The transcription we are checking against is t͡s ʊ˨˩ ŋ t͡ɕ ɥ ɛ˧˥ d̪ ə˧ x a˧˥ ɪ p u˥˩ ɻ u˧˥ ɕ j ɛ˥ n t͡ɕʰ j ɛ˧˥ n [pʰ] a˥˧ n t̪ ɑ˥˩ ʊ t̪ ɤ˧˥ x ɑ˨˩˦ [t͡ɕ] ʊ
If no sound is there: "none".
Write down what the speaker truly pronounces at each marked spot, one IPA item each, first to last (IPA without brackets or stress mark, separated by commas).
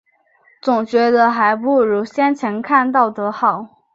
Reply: kʰ, none